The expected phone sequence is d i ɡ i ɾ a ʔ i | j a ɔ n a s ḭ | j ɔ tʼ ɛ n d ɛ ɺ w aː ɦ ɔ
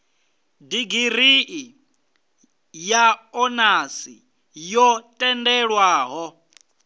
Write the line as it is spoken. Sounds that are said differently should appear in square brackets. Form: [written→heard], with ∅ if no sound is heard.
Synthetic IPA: d i ɡ i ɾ [a→i] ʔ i | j a ɔ n a s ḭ | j ɔ tʼ ɛ n d ɛ ɺ w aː ɦ ɔ